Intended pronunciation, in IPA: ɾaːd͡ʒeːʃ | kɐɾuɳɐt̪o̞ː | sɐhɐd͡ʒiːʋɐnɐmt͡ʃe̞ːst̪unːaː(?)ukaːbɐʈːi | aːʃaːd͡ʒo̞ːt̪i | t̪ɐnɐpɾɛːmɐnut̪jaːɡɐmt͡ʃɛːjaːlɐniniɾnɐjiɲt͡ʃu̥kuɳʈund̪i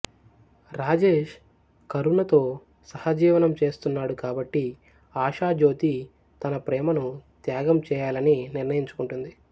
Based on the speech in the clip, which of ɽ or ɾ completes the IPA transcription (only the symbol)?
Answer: ɽ